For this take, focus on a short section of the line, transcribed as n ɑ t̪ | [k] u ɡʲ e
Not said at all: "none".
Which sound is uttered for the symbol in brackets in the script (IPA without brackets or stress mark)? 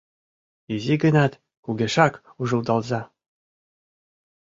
k